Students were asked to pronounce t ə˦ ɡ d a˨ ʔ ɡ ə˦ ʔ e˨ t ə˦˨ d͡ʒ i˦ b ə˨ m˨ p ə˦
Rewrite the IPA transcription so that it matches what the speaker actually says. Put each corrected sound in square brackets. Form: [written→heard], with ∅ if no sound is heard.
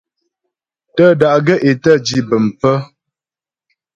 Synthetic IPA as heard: t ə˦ [ɡ→∅] d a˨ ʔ ɡ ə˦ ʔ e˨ t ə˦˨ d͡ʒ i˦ b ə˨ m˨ p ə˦